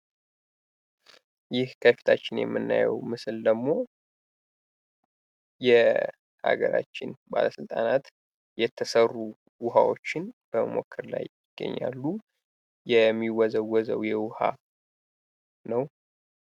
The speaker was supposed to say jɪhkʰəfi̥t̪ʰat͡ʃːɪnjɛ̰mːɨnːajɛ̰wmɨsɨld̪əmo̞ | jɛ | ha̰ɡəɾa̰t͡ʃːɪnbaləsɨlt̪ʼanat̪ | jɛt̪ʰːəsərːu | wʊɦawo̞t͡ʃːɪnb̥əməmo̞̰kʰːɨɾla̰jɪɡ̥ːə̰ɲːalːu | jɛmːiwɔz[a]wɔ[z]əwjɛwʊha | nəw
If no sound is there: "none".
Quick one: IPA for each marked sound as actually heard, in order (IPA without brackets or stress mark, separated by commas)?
ə, z